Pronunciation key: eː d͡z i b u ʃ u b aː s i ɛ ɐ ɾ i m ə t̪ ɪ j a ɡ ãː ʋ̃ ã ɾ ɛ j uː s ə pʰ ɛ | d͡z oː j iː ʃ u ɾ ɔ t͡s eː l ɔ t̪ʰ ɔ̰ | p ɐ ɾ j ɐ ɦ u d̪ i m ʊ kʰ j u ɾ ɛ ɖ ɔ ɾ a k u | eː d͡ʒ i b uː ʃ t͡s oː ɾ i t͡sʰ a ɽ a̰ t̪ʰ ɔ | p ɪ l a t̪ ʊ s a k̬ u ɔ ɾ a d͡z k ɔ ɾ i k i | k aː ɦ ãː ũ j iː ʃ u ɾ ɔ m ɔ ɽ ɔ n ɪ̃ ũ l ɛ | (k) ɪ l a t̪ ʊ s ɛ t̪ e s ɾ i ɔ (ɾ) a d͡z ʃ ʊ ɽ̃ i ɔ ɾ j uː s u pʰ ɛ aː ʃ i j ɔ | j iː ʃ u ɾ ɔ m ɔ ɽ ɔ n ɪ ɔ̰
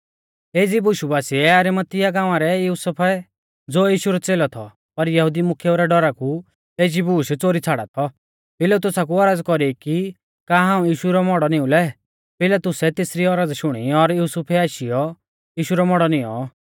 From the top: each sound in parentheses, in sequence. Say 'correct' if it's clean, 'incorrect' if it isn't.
incorrect: p, correct

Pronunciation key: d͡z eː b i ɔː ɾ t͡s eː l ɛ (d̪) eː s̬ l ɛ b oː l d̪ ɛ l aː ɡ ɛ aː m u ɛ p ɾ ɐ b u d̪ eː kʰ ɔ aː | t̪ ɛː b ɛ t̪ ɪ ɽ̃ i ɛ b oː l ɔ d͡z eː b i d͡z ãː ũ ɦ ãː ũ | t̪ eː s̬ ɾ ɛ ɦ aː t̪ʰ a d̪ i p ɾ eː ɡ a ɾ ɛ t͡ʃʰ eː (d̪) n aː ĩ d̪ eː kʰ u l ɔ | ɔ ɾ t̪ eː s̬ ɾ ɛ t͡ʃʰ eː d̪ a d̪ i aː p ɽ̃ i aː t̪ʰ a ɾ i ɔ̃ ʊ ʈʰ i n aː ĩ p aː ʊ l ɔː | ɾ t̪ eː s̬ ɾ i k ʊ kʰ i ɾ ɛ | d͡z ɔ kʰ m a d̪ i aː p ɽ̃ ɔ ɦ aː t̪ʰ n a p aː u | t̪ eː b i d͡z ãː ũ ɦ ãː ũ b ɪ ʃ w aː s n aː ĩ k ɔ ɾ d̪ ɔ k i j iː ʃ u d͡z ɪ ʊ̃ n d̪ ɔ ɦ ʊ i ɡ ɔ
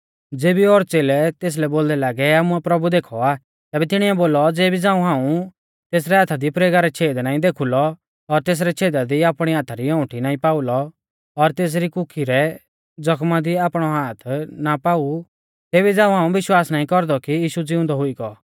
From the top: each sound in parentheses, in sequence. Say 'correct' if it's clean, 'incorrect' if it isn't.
incorrect: t̪, correct

